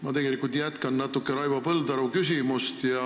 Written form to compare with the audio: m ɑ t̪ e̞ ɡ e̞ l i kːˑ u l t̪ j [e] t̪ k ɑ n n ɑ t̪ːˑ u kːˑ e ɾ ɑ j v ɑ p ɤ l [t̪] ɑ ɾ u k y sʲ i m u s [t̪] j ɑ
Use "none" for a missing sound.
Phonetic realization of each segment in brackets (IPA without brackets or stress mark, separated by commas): æ, d̪, t̪